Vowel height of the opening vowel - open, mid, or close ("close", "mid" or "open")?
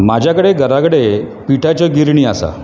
open